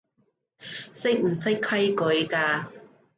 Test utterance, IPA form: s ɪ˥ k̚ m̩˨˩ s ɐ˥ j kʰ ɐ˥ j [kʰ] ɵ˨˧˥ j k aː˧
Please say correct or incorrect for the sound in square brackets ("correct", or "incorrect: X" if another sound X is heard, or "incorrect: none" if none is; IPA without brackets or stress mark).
incorrect: k